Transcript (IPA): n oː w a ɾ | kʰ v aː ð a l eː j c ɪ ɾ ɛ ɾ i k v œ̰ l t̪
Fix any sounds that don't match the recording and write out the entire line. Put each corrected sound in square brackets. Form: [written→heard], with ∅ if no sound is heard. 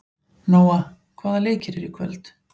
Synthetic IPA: n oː w a [ɾ→∅] | kʰ v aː ð a l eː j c ɪ ɾ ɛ ɾ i [k→kʰ] v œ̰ l t̪